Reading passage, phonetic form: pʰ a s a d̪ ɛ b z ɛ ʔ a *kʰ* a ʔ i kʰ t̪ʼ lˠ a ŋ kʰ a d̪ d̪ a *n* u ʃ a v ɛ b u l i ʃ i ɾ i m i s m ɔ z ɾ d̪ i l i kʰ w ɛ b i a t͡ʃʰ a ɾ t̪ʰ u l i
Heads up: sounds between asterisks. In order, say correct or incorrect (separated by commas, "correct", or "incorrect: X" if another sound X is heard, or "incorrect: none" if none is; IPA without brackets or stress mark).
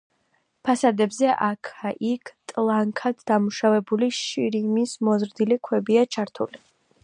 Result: correct, incorrect: m